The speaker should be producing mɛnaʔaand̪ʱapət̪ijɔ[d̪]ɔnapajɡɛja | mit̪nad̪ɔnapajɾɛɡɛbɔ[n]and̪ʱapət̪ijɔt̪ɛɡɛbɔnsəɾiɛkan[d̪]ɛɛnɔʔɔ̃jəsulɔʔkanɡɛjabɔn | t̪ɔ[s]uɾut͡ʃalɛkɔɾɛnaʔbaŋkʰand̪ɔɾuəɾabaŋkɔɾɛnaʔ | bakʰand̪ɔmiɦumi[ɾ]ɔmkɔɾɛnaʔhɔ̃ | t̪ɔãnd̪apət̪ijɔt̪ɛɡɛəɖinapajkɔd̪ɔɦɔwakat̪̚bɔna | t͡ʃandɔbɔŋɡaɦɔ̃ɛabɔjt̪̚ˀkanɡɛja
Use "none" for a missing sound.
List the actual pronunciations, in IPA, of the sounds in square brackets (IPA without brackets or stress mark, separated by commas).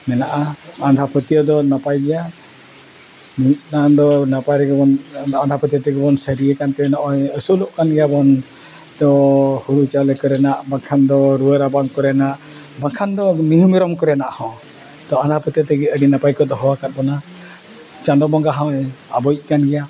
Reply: d̪, n, t̪, h, ɾ